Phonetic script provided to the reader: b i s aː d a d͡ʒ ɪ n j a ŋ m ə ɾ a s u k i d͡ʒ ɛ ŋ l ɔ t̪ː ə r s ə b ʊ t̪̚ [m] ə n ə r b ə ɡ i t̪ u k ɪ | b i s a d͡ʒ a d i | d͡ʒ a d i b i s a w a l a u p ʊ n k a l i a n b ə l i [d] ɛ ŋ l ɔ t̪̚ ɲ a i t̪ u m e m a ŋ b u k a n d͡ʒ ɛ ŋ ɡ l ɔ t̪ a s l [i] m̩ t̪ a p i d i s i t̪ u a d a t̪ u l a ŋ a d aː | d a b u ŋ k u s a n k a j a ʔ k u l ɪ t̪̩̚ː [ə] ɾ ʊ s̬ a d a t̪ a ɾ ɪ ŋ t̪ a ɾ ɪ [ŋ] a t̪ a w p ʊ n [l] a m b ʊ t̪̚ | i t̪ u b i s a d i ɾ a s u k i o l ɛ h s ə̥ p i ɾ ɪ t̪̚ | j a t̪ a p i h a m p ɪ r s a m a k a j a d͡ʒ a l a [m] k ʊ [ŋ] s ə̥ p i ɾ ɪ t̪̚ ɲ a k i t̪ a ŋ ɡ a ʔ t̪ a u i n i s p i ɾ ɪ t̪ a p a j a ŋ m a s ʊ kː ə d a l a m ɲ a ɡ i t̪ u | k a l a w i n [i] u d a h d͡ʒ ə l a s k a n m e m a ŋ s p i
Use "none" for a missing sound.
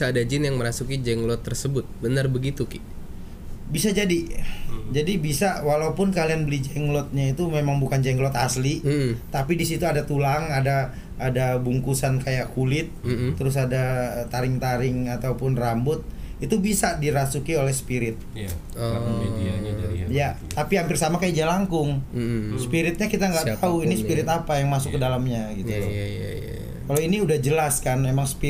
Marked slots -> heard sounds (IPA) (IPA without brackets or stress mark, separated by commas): b, d͡ʒ, i, ə, ŋ, r, ŋ, ŋ, i